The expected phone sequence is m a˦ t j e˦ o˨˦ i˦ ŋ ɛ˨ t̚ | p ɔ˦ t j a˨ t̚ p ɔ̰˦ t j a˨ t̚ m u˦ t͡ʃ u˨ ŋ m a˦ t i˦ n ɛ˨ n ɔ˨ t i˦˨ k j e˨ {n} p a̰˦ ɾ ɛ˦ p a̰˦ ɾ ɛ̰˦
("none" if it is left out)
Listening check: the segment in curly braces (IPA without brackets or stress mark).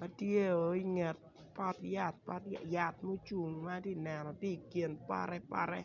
n